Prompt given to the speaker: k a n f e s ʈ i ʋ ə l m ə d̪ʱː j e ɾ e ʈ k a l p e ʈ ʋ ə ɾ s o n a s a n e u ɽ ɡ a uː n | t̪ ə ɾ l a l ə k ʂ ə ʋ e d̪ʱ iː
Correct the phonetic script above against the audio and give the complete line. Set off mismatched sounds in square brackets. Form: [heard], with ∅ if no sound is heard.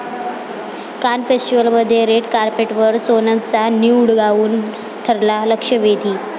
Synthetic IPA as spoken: k a n f e s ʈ i ʋ ə l m ə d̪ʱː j e ɾ e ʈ k a [ɾ] p e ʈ ʋ ə ɾ s o n a [t͡s] a n [i] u ɽ ɡ a uː n | [t̪ʰ] ə ɾ l a l ə k ʂ ə ʋ e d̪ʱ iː